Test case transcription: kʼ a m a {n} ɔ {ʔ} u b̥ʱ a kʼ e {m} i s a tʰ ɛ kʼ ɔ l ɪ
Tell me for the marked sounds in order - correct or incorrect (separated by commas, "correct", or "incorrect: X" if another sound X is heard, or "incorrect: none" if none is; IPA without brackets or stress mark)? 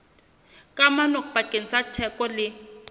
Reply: correct, incorrect: k, incorrect: n